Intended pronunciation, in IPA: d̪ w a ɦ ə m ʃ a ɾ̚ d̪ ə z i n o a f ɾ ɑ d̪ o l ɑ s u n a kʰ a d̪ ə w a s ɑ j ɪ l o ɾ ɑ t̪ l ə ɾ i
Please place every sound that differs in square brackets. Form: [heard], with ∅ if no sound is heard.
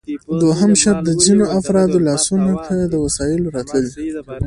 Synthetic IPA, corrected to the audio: d̪ w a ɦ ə m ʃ a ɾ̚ d̪ ə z i n o a f ɾ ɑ d̪ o l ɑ s u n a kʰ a d̪ ə w a s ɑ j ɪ l o ɾ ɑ t̪ l ə [l] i